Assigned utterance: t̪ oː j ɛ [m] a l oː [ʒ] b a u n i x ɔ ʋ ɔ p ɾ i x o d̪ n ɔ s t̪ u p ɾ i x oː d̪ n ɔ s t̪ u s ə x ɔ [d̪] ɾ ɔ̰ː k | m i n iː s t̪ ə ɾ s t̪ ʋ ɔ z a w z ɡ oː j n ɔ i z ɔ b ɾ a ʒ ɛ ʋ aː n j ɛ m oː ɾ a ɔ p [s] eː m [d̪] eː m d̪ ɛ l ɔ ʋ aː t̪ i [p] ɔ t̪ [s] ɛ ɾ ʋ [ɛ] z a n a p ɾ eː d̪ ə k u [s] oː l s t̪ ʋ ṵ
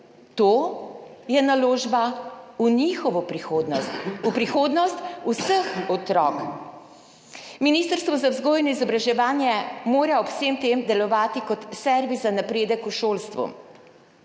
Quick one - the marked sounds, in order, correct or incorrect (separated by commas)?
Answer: incorrect, correct, incorrect, correct, incorrect, incorrect, correct, incorrect, incorrect